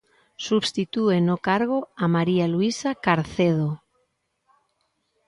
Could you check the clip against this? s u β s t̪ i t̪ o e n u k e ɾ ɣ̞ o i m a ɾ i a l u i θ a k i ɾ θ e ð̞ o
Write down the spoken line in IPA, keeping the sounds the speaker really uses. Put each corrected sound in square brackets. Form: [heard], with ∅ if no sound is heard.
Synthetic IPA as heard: s u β s t̪ i t̪ [u] e n [o] k [a] ɾ ɣ̞ o [a] m a ɾ i a l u i [s] a k [a] ɾ θ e ð̞ o